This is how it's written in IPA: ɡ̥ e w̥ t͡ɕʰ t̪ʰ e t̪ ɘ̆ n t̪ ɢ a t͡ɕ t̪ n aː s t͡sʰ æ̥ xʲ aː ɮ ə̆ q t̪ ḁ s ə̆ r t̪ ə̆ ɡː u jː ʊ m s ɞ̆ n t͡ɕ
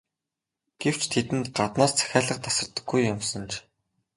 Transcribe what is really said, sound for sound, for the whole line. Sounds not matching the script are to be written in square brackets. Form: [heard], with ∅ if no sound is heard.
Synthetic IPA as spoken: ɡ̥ e w̥ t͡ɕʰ t̪ʰ e t̪ ɘ̆ n t̪ ɢ a [∅] t̪ n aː s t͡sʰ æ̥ xʲ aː ɮ ə̆ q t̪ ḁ s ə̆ r t̪ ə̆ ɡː u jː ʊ m s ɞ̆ n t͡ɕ